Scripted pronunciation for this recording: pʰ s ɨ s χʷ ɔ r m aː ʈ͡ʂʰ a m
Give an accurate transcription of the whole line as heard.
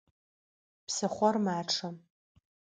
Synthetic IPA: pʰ s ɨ χʷ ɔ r m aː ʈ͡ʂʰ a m